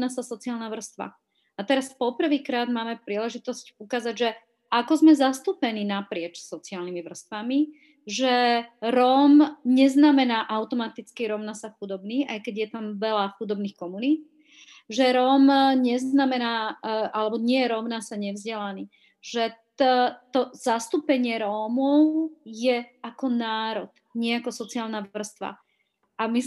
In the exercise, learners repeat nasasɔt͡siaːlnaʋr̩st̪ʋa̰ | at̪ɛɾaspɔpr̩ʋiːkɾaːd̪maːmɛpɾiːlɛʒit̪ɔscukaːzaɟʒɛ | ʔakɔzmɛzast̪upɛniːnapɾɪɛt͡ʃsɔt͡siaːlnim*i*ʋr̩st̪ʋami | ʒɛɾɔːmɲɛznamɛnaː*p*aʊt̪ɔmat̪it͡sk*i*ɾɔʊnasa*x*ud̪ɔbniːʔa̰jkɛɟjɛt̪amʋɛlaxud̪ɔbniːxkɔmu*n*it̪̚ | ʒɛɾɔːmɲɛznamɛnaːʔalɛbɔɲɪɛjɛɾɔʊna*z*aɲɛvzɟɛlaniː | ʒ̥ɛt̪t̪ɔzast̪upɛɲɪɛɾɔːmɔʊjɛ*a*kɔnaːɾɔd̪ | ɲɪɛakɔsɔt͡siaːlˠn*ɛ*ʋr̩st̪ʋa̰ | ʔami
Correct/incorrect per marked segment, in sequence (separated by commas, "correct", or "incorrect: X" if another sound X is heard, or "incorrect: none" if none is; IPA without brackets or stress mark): correct, incorrect: ʔ, correct, correct, correct, incorrect: s, correct, incorrect: a